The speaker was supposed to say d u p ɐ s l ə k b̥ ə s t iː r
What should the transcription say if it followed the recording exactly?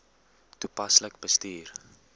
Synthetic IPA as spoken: t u p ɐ s l ə k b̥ ə s t iː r